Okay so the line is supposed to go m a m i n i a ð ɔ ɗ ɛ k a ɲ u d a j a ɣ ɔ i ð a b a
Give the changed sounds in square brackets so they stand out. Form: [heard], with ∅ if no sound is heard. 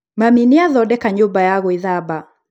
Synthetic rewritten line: m a m i n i a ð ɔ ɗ ɛ k a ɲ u [b] a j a ɣ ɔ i ð a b a

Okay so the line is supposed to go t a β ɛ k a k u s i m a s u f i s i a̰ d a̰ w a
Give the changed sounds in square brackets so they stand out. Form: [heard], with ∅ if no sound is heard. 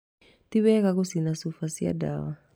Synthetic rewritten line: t [i] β ɛ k a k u s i [n] a s u f [a] s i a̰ d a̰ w a

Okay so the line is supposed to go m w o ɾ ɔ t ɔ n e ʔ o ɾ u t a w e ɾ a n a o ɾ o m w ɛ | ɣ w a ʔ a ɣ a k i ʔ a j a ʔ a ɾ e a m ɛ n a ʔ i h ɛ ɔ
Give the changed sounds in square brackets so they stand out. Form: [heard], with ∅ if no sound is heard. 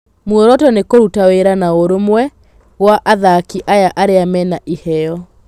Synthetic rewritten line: m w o ɾ ɔ t ɔ n e [k] o ɾ u t a w e ɾ a n a o ɾ o m w ɛ | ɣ w a ʔ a [ð] a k i ʔ a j a ʔ a ɾ e a m ɛ n a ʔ i h ɛ ɔ

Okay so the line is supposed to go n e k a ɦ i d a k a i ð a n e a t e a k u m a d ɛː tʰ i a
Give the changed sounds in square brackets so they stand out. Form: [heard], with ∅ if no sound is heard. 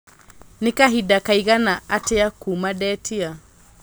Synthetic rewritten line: n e k a ɦ i d a k a i [ɣ] a n [a] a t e a k u m a d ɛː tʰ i a

